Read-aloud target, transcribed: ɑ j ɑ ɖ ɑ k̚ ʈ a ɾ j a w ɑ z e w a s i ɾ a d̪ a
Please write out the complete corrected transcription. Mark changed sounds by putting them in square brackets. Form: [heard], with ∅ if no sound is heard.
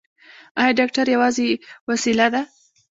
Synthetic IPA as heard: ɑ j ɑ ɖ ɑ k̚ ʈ a ɾ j a w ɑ z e w a s i [l] a d̪ a